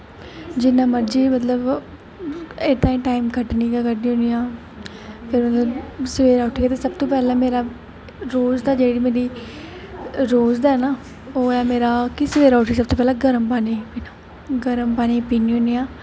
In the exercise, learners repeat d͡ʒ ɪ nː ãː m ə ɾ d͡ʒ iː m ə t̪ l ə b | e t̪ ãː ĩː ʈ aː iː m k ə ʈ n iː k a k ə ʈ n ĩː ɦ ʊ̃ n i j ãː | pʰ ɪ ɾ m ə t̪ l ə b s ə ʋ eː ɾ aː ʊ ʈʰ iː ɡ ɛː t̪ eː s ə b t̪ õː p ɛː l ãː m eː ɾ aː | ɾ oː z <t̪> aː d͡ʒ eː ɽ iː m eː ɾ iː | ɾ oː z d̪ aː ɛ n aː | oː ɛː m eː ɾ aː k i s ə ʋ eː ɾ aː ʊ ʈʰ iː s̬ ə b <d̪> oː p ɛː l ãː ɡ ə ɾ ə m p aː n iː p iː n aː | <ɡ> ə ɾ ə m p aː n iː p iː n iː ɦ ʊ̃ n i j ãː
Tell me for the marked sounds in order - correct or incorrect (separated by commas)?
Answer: incorrect, incorrect, correct